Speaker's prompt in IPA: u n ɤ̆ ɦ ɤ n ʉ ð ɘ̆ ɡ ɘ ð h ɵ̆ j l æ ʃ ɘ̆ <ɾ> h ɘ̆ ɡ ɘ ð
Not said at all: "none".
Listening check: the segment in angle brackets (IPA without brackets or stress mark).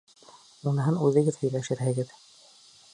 ɾ